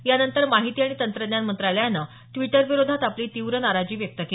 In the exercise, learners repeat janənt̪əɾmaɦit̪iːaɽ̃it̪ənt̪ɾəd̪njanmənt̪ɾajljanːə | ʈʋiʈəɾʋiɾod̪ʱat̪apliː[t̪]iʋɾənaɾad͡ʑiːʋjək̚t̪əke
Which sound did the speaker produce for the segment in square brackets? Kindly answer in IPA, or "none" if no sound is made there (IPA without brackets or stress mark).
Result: t̪